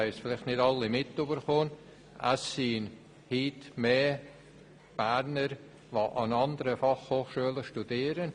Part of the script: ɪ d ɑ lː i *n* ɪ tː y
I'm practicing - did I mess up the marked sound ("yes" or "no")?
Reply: yes